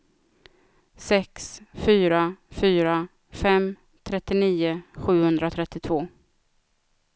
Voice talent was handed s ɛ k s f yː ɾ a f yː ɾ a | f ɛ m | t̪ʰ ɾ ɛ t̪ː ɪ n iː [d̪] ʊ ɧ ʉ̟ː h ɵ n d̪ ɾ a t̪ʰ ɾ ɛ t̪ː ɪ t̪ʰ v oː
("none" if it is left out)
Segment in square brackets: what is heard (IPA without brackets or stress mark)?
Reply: none